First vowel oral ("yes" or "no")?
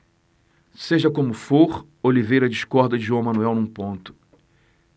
yes